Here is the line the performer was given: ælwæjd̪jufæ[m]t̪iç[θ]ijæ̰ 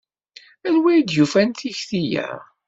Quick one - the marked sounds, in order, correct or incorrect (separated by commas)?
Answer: incorrect, correct